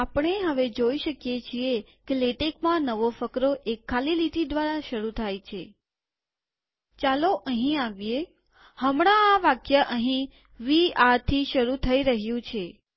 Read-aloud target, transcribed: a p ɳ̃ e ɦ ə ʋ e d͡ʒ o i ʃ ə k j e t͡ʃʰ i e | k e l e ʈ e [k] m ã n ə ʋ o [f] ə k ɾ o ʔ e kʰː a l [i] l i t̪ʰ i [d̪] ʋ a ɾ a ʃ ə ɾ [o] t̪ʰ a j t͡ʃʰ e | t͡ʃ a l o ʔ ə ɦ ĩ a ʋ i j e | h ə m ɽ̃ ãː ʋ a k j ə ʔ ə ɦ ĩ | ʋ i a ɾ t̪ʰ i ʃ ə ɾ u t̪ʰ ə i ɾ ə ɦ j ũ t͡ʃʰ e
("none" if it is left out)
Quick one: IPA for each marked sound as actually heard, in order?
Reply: k, f, i, d̪, u

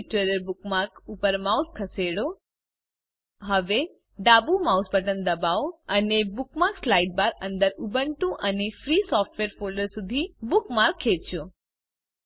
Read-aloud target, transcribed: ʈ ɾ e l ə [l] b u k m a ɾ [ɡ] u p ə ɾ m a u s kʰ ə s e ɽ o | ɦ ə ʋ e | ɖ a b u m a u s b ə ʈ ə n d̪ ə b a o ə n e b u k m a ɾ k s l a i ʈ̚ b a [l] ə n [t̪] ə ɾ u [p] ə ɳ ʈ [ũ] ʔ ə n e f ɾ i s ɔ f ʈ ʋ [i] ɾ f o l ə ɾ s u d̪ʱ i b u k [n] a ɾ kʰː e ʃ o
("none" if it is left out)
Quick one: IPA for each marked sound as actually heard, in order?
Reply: ɾ, k, ɾ, d̪, b, ũ, e, m

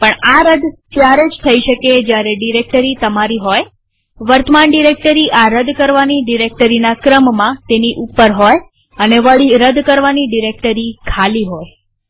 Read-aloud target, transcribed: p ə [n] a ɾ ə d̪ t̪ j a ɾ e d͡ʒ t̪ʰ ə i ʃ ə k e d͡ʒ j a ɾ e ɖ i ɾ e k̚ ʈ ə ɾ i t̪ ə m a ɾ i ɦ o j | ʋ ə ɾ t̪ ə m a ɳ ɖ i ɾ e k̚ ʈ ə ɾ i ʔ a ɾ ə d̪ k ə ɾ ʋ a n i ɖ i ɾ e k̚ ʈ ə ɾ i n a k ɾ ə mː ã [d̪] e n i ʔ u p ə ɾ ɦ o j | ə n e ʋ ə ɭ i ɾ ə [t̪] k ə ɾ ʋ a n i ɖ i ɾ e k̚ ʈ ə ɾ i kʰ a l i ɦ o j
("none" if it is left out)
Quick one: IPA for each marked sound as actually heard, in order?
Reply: ɳ, t̪, d̪

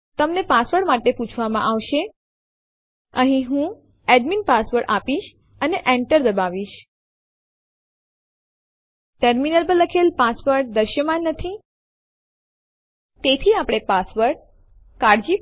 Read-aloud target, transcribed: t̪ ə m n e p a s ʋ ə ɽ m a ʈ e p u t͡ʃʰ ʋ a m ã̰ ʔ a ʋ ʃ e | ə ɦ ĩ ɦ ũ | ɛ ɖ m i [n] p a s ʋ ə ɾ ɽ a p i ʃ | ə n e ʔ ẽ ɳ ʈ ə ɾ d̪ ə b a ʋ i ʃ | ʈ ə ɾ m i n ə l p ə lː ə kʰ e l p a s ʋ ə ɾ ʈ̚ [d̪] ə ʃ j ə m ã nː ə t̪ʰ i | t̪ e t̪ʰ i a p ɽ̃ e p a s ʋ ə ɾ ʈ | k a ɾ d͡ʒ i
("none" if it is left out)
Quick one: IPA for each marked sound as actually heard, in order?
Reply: n, d̪

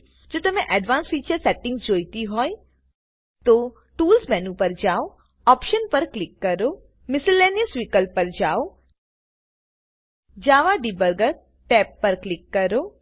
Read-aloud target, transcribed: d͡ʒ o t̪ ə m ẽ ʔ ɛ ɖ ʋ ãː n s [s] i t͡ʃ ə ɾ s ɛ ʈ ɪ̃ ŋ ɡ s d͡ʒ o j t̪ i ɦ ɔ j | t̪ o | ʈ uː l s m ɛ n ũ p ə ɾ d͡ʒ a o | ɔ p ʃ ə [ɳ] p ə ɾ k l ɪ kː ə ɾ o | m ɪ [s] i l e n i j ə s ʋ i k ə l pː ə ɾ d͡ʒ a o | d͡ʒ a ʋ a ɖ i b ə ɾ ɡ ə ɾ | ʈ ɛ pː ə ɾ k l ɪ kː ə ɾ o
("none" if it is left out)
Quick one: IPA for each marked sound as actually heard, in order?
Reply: f, n, s

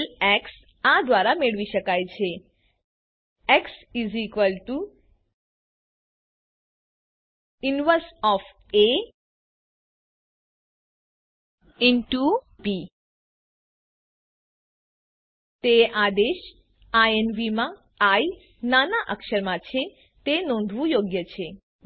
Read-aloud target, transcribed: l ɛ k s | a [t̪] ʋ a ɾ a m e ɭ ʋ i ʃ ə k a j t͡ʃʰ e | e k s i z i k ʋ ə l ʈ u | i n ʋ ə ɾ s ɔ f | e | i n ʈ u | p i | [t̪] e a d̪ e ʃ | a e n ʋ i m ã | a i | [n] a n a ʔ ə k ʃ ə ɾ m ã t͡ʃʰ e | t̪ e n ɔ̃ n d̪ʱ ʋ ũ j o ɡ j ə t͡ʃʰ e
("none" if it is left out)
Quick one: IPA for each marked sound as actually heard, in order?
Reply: d̪, t̪, n

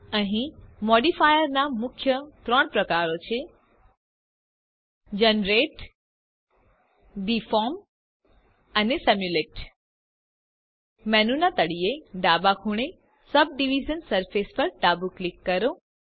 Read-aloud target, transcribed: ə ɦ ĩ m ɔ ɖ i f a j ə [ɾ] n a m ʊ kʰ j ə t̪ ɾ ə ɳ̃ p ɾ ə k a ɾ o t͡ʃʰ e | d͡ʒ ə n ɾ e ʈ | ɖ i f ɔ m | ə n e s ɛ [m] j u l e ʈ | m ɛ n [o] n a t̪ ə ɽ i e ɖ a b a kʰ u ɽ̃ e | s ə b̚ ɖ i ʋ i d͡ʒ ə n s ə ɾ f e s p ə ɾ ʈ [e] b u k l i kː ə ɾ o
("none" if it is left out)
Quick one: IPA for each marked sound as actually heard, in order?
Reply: ɾ, m, u, a

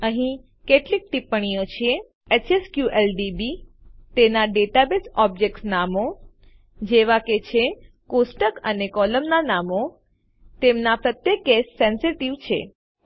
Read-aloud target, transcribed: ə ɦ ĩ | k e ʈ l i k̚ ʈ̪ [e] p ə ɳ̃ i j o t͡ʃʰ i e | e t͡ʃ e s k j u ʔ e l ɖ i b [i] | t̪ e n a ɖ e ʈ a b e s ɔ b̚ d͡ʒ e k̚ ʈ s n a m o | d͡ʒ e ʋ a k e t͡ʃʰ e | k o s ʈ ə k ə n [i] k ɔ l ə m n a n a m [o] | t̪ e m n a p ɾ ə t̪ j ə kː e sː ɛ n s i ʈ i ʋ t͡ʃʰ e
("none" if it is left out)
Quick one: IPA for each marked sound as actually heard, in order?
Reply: i, i, e, o

